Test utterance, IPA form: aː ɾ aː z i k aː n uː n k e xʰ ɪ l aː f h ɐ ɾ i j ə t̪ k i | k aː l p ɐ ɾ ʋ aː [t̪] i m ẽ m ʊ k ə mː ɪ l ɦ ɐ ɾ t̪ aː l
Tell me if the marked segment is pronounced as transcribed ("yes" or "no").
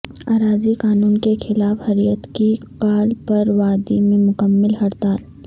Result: no